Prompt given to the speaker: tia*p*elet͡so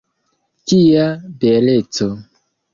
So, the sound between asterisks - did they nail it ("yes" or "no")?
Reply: no